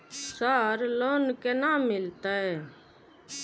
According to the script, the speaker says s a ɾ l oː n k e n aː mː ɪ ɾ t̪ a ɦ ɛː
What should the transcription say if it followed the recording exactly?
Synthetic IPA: s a ɾ l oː n k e n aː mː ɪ l t̪ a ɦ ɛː